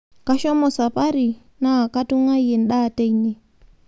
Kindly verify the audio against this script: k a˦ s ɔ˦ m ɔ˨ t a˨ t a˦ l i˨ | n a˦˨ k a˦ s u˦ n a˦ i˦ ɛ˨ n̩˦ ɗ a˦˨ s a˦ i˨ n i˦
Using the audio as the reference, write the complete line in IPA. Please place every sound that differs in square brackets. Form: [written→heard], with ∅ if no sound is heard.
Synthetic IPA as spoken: k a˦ [s→ʃ] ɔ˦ m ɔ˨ [t→s] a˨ [t→p] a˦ [l→ɾ] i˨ | n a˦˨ k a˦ [s→t] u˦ [n→ŋ] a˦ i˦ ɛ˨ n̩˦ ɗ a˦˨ [s→t] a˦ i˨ n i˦